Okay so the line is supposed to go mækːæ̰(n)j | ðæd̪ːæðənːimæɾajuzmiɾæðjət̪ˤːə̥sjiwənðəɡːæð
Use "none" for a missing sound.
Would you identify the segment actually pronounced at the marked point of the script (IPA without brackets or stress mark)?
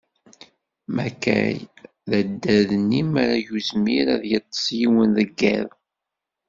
none